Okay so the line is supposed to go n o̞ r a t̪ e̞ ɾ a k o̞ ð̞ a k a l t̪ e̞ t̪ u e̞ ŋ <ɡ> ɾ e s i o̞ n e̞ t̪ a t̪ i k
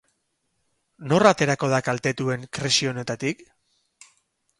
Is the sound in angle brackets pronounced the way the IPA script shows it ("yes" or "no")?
no